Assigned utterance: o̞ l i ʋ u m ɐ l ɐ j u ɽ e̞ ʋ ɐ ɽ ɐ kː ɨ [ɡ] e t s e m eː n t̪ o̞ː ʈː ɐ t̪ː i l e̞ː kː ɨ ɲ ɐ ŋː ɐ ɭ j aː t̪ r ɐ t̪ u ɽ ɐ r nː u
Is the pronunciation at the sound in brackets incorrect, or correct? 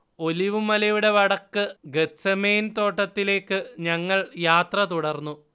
correct